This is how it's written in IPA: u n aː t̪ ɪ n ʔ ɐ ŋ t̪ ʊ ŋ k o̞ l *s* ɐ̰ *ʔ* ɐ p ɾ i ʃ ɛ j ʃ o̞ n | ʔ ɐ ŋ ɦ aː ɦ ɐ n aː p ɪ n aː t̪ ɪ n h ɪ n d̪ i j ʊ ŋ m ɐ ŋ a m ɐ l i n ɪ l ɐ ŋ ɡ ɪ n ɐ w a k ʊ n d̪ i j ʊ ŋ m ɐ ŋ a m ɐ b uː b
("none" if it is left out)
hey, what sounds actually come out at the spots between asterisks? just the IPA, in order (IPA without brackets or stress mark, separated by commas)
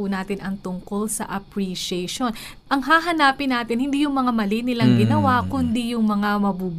s, ʔ